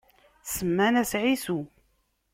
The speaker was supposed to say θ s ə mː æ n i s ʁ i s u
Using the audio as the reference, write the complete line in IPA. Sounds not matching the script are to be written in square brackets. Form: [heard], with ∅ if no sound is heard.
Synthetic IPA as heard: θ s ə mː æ n [æ] s [ʕ] i s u